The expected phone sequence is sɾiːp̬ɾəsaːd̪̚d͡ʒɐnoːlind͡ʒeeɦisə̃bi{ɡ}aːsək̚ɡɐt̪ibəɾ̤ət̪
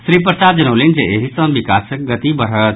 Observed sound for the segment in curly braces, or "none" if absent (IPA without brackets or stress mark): k